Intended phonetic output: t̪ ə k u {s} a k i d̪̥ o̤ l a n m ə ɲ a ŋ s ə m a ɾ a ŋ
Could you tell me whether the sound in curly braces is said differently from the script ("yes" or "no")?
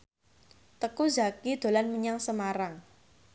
yes